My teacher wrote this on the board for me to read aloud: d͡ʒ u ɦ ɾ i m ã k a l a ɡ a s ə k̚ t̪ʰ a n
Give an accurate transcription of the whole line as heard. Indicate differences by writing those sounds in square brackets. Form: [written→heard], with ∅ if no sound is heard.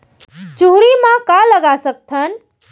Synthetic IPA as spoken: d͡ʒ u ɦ ɾ i m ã k a l [a→ə] ɡ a s ə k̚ t̪ʰ [a→ə] n

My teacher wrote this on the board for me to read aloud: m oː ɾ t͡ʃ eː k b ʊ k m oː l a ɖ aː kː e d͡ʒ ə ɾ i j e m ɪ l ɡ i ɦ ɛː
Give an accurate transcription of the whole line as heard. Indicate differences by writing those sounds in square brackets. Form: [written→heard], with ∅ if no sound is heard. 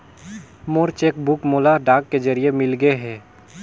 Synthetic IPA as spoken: m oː ɾ t͡ʃ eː k b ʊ k m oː l a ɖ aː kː e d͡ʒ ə ɾ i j e m ɪ l ɡ [i→e] ɦ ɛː

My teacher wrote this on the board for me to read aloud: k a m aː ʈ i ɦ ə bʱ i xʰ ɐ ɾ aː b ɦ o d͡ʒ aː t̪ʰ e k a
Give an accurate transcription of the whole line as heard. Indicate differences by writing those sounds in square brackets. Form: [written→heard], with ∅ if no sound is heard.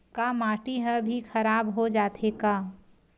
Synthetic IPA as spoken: k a m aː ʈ i ɦ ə bʱ i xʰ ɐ ɾ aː b ɦ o d͡ʒ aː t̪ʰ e k a

